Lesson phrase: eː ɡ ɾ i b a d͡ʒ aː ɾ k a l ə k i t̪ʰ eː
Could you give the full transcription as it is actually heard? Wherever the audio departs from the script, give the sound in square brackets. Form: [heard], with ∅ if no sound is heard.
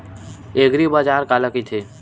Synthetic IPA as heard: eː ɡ ɾ i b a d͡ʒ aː ɾ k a l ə k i t̪ʰ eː